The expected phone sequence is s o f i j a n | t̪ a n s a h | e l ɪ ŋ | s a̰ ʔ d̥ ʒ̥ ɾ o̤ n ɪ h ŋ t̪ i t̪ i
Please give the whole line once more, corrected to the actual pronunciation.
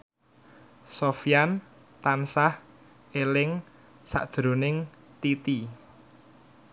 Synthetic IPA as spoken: s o f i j a n | t̪ a n s a h | e l ɪ ŋ | s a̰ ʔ d̥ ʒ̥ ɾ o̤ n ɪ ŋ t̪ i t̪ i